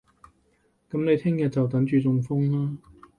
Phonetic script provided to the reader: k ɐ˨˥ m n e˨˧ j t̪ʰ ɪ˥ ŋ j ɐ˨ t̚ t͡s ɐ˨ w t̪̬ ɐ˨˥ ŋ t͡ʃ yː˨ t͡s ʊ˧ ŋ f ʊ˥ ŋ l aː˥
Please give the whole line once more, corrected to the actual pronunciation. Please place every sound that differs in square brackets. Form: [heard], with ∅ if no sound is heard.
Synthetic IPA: k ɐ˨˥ m n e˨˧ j t̪ʰ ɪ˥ ŋ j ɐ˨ t̚ t͡s ɐ˨ w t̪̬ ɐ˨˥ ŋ t͡ʃ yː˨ t͡s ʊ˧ ŋ f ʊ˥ ŋ l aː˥